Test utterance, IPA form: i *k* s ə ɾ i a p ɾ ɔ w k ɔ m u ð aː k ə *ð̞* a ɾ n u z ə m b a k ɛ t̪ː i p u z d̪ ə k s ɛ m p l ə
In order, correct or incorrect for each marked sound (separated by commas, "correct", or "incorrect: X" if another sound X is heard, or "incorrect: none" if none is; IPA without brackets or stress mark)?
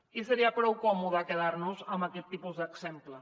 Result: incorrect: none, correct